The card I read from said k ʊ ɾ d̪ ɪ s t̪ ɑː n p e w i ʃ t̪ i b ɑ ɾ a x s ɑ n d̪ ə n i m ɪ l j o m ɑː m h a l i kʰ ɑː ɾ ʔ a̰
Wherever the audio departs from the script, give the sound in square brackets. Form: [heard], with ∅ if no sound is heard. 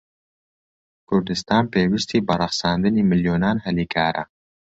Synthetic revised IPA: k ʊ ɾ d̪ ɪ s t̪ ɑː n p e w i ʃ t̪ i b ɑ ɾ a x s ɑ n d̪ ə n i m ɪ l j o [n] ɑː [n] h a l i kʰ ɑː ɾ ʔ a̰